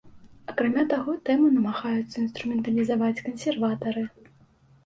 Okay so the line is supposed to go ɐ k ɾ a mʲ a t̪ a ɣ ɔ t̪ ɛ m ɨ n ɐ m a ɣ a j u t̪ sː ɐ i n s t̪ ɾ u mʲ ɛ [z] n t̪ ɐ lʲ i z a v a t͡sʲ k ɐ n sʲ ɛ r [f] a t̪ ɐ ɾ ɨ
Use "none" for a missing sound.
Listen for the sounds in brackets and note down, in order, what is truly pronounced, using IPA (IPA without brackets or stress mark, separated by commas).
none, v